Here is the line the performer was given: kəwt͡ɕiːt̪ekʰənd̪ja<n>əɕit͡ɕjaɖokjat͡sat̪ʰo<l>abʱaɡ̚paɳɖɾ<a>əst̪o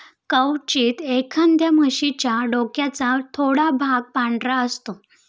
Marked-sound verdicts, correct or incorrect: incorrect: m, incorrect: ɽ, correct

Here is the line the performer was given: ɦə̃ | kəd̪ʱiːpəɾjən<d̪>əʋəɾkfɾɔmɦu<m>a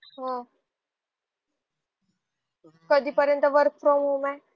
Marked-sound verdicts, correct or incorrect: incorrect: t̪, correct

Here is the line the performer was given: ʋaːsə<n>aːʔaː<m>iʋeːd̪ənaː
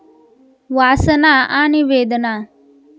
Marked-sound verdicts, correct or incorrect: correct, incorrect: n

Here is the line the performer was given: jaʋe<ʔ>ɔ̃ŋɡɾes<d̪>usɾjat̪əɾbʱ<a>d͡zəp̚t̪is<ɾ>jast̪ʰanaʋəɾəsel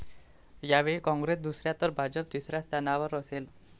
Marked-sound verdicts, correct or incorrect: incorrect: k, correct, correct, correct

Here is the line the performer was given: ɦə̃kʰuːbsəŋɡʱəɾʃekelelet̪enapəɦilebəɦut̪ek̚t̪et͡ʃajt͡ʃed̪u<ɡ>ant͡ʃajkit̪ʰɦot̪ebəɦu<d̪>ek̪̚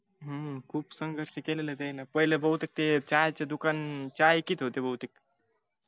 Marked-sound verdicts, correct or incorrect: incorrect: k, incorrect: t̪

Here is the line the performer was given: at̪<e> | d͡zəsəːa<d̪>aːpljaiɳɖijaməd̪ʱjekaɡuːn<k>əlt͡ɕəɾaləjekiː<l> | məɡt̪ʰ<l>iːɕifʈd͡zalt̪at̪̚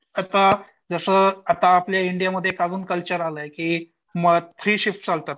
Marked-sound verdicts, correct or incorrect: incorrect: a, incorrect: t̪, correct, incorrect: none, incorrect: ɾ

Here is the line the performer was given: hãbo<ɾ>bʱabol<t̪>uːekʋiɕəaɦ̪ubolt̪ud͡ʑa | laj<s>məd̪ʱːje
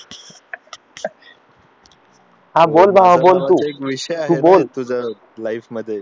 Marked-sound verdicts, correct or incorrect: incorrect: l, correct, incorrect: f

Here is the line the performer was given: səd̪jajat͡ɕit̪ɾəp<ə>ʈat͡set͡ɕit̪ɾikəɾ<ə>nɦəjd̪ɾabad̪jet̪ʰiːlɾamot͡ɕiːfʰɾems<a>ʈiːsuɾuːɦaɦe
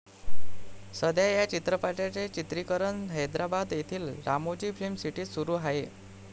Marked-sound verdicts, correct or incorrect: incorrect: a, correct, incorrect: i

